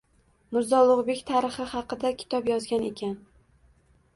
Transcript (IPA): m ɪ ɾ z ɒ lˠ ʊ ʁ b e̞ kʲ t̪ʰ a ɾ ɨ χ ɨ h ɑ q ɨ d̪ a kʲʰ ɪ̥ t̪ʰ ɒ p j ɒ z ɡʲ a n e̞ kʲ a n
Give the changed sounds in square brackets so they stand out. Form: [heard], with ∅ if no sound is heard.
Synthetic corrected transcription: m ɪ ɾ z ɒ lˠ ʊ ʁ b e̞ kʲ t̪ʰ a ɾ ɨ χ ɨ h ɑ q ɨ d̪ a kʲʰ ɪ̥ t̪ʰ ɒ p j ɒ z ɡʲ a n e̞ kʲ a n